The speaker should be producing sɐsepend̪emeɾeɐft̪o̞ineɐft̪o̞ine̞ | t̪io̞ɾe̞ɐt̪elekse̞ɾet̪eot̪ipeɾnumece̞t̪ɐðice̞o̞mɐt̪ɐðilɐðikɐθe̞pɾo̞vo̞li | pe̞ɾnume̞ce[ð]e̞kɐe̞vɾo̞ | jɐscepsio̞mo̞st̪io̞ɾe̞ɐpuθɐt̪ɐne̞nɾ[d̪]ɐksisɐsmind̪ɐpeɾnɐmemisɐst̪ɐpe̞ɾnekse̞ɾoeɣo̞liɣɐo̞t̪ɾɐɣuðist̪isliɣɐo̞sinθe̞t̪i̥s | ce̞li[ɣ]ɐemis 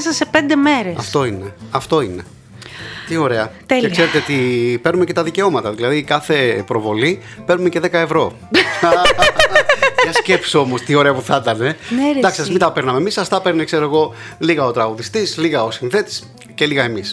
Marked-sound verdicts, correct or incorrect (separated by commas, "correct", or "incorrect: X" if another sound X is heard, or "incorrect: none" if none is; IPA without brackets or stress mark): correct, correct, correct